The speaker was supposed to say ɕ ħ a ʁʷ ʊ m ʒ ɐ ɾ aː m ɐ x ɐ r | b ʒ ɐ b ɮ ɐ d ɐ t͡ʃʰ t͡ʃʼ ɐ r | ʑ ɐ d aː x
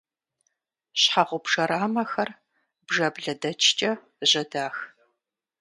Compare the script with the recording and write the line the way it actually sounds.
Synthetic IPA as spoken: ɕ ħ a ʁʷ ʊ b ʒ ɐ ɾ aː m ɐ x ɐ r | b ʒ ɐ b ɮ ɐ d ɐ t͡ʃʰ t͡ʃʼ ɐ | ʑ ɐ d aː x

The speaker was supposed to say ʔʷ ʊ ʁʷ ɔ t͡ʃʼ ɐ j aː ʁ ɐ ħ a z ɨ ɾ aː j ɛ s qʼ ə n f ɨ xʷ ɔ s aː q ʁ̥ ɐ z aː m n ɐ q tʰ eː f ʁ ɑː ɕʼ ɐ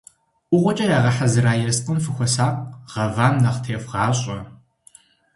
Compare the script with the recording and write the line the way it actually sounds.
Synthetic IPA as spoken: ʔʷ ʊ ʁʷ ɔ t͡ʃʼ ɐ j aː ʁ ɐ ħ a z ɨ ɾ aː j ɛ s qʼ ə n f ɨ xʷ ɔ s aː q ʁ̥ ɐ v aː m n ɐ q tʰ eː f ʁ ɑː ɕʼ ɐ

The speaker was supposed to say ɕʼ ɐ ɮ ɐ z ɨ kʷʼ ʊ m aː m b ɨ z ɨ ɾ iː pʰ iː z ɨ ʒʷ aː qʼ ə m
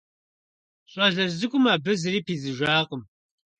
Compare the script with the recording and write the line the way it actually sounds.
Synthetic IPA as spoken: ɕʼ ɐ ɮ ɐ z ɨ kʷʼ ʊ m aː b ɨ z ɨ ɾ iː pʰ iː z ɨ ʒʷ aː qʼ ə m

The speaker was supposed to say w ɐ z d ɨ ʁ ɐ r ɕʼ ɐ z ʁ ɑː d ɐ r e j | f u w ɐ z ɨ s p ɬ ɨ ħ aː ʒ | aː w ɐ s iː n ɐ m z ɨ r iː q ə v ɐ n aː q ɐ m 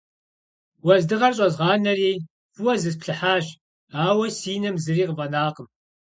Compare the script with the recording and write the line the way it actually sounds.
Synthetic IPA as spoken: w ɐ z d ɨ ʁ ɐ r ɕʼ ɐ z ʁ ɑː n ɐ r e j | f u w ɐ z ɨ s p ɬ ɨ ħ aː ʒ | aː w ɐ s iː n ɐ m z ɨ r iː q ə v ɐ n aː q ə m

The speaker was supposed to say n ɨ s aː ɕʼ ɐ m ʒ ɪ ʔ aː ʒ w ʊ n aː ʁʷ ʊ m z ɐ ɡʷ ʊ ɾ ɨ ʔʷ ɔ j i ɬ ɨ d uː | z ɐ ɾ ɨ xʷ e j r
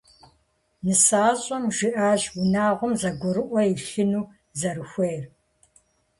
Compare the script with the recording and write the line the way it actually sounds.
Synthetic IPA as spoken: n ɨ s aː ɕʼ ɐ m ʒ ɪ ʔ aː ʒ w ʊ n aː ʁʷ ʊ m z ɐ ɡʷ ʊ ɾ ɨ ʔʷ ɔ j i ɬ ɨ n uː | z ɐ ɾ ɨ xʷ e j r

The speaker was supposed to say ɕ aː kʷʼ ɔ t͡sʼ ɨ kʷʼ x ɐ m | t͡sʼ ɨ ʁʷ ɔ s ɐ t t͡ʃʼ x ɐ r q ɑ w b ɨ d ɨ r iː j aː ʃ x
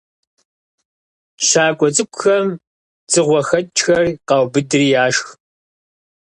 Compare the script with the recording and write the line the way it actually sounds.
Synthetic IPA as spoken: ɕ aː kʷʼ ɔ t͡sʼ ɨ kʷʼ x ɐ m | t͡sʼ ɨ ʁʷ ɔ x ɐ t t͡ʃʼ x ɐ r q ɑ w b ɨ d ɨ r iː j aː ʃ x

